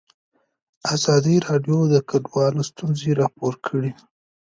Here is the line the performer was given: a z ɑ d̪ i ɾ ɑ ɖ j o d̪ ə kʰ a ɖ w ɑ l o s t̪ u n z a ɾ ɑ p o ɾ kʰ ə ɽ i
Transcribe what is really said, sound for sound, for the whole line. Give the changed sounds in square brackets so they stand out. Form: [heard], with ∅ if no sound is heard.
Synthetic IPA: a z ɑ d̪ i ɾ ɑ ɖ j o d̪ ə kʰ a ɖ w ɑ l o s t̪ u n z [e] ɾ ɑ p o ɾ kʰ ə ɽ i